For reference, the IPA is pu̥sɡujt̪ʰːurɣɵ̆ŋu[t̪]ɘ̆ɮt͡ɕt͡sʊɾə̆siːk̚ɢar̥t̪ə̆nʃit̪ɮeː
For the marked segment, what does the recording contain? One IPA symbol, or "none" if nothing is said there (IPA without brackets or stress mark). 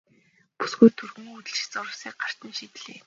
t̪